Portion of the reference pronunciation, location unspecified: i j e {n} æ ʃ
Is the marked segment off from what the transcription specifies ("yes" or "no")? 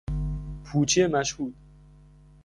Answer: yes